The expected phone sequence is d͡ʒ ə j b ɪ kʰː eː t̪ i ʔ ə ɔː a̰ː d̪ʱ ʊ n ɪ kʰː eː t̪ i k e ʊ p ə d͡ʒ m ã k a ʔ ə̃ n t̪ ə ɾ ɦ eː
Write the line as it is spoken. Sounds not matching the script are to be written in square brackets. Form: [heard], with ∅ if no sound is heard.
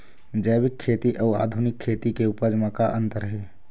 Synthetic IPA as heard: d͡ʒ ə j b ɪ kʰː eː t̪ i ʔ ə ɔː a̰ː d̪ʱ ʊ n ɪ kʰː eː t̪ i k e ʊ p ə d͡ʒ m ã k a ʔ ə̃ n t̪ ə ɾ ɦ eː